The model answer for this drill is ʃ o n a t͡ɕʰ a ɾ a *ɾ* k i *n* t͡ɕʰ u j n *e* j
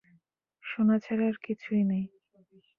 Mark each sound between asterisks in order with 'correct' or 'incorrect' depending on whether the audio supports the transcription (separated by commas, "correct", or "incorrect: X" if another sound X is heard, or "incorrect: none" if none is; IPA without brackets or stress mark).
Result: correct, incorrect: none, correct